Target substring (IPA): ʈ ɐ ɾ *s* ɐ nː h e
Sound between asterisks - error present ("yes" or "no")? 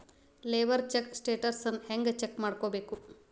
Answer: no